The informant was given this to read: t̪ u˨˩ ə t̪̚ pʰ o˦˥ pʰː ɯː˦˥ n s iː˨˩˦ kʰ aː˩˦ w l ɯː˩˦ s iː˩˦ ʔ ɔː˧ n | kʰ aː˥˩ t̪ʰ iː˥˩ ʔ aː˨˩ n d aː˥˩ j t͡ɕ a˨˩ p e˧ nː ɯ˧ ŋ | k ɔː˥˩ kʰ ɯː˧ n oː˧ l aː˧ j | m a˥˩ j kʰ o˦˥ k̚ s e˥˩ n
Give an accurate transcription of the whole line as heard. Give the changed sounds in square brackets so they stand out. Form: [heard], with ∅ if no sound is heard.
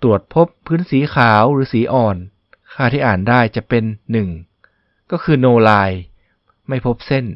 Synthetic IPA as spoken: t̪ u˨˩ ə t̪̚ pʰ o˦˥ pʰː ɯː˦˥ n s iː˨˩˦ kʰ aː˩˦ w [ɾ] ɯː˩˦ s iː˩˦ ʔ [ɔː˨˩] n | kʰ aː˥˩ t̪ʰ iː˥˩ ʔ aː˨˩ n d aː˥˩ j t͡ɕ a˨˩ p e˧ nː [ɯ˨˩] ŋ | k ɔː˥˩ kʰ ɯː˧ n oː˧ l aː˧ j | m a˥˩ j [pʰ] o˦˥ [p̚] s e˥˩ n